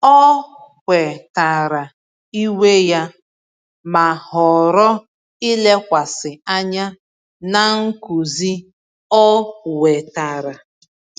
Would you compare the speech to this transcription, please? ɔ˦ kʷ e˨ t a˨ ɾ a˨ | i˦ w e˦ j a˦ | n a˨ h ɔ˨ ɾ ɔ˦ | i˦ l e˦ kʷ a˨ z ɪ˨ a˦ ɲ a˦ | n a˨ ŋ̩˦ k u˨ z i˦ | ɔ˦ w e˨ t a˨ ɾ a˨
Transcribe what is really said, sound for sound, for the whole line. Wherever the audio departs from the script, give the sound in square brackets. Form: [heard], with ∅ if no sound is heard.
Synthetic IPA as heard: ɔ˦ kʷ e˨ t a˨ ɾ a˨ | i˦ w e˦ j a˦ | [m] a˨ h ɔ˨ ɾ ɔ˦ | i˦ l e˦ kʷ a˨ [s] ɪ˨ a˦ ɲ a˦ | n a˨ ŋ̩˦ k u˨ z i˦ | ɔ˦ w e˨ t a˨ ɾ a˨

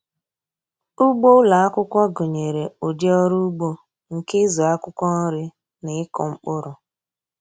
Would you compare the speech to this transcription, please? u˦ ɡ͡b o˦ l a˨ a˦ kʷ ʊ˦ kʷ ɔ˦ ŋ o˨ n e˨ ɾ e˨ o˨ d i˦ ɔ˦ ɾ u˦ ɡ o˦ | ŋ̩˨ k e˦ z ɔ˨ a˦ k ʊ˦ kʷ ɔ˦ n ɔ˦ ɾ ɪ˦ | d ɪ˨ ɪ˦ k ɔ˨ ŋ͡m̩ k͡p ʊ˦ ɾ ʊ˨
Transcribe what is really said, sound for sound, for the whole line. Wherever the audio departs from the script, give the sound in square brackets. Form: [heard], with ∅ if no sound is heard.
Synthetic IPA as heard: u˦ ɡ͡b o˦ l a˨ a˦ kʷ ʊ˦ kʷ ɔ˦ [ɡ] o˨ [ɲ] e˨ ɾ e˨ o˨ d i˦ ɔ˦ ɾ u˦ [ɡ͡b] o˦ | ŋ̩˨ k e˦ z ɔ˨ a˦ k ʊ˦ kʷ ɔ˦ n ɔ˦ ɾ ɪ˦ | [n] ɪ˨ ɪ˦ k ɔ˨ ŋ͡m̩ k͡p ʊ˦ ɾ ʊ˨

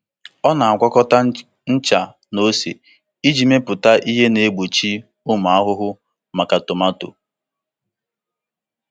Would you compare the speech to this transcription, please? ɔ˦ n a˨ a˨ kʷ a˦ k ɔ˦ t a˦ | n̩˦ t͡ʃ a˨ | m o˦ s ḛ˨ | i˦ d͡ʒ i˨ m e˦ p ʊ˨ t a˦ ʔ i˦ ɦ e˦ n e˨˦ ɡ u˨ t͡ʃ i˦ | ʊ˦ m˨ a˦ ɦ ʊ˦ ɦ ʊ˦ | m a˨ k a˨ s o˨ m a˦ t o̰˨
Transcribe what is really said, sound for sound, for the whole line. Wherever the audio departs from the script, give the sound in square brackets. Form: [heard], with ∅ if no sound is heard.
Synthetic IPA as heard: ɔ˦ n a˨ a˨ kʷ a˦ k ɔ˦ t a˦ | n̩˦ t͡ʃ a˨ | [n] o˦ s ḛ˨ | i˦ d͡ʒ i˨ m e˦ p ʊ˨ t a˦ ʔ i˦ ɦ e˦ n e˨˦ [ɡ͡b] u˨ t͡ʃ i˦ | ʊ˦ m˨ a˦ ɦ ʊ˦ ɦ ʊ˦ | m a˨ k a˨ [t] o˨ m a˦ t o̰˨

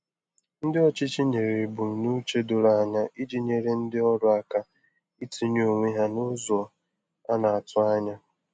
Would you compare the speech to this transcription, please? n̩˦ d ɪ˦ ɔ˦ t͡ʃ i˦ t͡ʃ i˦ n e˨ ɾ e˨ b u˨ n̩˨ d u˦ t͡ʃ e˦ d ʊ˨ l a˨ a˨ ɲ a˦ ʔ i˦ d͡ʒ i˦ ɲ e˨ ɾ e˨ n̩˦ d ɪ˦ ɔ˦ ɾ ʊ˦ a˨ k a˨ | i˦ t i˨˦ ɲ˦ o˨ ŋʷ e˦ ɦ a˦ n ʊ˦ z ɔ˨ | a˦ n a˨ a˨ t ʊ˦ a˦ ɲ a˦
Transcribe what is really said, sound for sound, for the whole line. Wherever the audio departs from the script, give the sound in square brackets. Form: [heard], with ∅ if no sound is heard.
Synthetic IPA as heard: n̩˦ d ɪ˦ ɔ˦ t͡ʃ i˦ t͡ʃ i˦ [ɲ] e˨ ɾ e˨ b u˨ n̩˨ [n] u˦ t͡ʃ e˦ d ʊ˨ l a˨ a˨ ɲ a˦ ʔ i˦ d͡ʒ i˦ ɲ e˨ ɾ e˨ n̩˦ d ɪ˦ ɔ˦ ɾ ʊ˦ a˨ k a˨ | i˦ t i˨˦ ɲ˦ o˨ ŋʷ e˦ ɦ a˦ n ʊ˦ z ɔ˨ | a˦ n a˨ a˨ t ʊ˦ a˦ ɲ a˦

